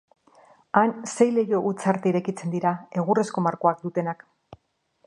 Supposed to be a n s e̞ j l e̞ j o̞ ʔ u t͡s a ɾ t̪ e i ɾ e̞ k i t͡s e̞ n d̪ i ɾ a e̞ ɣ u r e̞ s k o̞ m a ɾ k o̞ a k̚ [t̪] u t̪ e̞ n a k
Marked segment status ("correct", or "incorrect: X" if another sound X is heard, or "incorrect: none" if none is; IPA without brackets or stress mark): incorrect: d̪